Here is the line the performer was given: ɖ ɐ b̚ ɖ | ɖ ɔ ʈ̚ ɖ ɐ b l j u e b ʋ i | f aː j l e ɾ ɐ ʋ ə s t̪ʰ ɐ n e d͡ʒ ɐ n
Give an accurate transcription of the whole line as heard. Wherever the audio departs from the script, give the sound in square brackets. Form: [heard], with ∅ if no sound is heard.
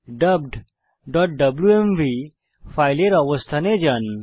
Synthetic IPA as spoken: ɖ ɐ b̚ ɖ | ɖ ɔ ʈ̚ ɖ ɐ b l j u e [m] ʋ i | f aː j l e ɾ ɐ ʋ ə s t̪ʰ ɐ n e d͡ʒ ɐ n